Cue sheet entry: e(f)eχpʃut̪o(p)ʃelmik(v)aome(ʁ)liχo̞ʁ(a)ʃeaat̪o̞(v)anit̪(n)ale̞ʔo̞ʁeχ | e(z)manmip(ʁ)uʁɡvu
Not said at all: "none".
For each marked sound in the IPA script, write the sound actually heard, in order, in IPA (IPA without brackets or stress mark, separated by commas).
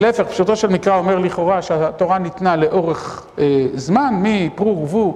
f, none, ʁ, ʁ, a, ʁ, n, z, ʁ